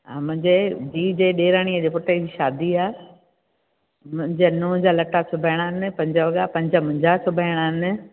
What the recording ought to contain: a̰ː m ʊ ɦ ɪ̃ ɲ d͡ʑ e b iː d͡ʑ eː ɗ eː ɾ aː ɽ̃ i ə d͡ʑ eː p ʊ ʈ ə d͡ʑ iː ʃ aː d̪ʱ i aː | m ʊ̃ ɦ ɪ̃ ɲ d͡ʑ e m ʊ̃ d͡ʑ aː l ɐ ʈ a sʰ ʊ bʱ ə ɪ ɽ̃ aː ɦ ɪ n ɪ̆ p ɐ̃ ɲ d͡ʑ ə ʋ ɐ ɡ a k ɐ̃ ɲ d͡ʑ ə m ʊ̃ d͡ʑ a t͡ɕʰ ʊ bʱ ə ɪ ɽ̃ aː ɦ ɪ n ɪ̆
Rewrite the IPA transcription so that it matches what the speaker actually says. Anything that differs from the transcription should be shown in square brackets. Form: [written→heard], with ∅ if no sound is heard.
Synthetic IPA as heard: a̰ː m [ʊ→ʊ̃] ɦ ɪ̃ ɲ d͡ʑ e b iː d͡ʑ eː ɗ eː ɾ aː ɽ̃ i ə d͡ʑ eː p ʊ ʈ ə d͡ʑ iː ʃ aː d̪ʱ i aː | m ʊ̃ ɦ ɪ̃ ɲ d͡ʑ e [m→n] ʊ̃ d͡ʑ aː l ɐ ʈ a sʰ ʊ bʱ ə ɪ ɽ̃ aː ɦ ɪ n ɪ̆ p ɐ̃ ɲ d͡ʑ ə ʋ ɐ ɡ a [k→p] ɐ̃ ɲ d͡ʑ ə m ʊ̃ d͡ʑ a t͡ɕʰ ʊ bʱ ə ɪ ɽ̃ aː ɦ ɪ n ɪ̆

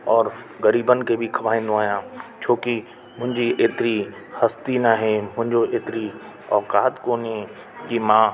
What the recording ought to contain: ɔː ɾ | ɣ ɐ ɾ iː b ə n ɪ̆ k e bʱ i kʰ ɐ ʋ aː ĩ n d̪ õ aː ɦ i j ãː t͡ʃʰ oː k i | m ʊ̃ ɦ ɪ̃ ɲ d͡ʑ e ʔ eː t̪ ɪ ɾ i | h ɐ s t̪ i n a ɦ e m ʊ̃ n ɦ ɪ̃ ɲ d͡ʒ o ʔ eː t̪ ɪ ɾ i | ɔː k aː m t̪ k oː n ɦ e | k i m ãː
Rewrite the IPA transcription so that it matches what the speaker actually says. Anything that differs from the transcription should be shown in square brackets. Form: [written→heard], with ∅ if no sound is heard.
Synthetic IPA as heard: ɔː ɾ | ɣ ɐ ɾ iː b ə n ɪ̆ k e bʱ i kʰ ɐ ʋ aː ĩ n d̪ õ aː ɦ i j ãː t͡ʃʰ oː k i | m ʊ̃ ɦ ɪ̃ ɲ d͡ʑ [e→i] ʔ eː t̪ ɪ ɾ i | h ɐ s t̪ i n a ɦ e m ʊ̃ [n→∅] ɦ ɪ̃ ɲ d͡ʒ o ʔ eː t̪ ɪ ɾ i | ɔː k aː [m→∅] t̪ k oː n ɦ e | k i m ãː

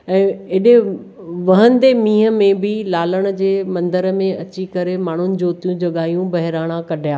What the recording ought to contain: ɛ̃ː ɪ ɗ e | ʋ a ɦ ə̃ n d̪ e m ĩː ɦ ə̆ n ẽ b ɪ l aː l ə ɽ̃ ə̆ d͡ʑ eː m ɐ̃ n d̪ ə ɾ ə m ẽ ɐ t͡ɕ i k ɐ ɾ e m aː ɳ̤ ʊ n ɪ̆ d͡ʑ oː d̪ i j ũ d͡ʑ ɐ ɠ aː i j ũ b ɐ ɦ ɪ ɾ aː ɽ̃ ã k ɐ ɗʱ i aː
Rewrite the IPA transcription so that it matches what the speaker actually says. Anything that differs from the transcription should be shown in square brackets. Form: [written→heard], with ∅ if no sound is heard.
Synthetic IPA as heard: ɛ̃ː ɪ ɗ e | ʋ [a→ɐ] ɦ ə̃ n d̪ e m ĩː ɦ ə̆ [n→m] ẽ b ɪ l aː l ə ɽ̃ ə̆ d͡ʑ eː m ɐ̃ n d̪ ə ɾ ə m ẽ ɐ t͡ɕ i k ɐ ɾ e m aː ɳ̤ ʊ n ɪ̆ d͡ʑ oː [d̪→t̪] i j ũ d͡ʑ ɐ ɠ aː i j ũ b ɐ ɦ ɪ ɾ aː ɽ̃ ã k ɐ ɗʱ [i→j] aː

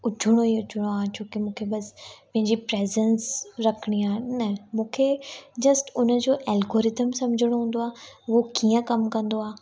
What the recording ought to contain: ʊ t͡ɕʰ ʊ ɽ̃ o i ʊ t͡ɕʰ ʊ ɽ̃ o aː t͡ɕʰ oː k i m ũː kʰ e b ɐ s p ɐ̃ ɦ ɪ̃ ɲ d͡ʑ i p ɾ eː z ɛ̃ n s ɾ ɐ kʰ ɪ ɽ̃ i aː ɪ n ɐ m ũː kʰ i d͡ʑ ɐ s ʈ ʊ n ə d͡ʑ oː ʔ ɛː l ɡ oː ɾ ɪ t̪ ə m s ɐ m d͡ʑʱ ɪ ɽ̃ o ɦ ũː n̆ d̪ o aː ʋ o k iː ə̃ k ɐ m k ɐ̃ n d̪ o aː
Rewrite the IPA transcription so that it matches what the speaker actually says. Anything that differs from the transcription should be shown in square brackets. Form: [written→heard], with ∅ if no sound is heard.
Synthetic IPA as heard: ʊ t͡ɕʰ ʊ ɽ̃ o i ʊ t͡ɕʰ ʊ ɽ̃ o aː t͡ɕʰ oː k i m ũː kʰ e b ɐ s p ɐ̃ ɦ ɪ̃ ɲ d͡ʑ i p ɾ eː z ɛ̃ n s ɾ ɐ kʰ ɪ ɽ̃ i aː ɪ n ɐ m ũː kʰ [i→e] d͡ʑ ɐ s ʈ ʊ n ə d͡ʑ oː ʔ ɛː l ɡ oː ɾ ɪ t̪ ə m s ɐ m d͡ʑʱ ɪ ɽ̃ o ɦ ũː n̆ d̪ o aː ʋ o k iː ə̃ k ɐ m k ɐ̃ n d̪ o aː

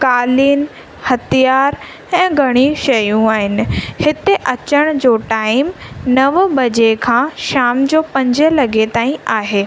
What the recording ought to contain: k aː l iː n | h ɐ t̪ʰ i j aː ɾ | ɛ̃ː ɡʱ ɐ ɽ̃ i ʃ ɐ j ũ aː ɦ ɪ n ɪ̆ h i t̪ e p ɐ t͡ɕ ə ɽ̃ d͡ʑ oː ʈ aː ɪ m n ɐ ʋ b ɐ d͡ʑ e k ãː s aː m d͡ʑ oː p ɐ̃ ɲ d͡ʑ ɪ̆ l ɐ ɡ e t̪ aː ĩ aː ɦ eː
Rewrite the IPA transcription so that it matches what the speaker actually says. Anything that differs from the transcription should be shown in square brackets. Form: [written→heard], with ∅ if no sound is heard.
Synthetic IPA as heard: k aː l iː n | h ɐ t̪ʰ i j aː ɾ | ɛ̃ː ɡʱ ɐ ɽ̃ i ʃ ɐ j ũ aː ɦ ɪ n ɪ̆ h [i→ɪ] t̪ e [p→ʔ] ɐ t͡ɕ ə ɽ̃ d͡ʑ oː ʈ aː ɪ m n ɐ ʋ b ɐ d͡ʑ e [k→kʰ] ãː [s→ʃ] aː m d͡ʑ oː p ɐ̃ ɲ d͡ʑ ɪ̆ l ɐ ɡ e t̪ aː ĩ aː ɦ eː

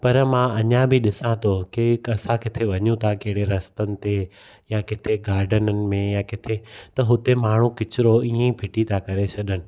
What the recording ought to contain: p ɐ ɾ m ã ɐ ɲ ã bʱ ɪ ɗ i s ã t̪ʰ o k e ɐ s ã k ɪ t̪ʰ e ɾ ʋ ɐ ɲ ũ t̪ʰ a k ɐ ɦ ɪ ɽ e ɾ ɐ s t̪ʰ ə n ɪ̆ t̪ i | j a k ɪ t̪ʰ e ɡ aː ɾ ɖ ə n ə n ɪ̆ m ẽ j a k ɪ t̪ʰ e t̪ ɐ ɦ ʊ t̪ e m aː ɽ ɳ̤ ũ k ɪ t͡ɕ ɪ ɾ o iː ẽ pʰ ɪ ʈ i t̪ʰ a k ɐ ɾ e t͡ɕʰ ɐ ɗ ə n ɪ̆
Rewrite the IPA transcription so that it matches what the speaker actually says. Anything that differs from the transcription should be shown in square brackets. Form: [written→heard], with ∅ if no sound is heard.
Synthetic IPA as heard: p ɐ ɾ m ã ɐ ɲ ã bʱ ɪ ɗ [i→ɪ] s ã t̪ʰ o k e ɐ s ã k ɪ t̪ʰ e [ɾ→∅] ʋ ɐ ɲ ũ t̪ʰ a k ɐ ɦ ɪ ɽ e ɾ ɐ s [t̪ʰ→t̪] ə n ɪ̆ t̪ [i→e] | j a k ɪ t̪ʰ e ɡ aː ɾ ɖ ə n ə n ɪ̆ m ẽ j a k ɪ t̪ʰ e t̪ ɐ ɦ ʊ t̪ e m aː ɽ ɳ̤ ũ k ɪ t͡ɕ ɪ ɾ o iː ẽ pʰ ɪ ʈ i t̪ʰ a k ɐ ɾ e t͡ɕʰ ɐ ɗ ə n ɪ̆

